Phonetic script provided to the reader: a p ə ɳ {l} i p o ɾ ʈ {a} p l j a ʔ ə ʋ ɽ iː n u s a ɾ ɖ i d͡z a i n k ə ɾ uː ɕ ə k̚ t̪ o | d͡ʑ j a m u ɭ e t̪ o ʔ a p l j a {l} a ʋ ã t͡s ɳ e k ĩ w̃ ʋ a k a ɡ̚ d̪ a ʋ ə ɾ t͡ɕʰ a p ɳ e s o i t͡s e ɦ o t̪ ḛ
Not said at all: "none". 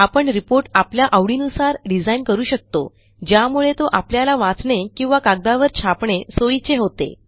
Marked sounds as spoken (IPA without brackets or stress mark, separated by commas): ɾ, a, l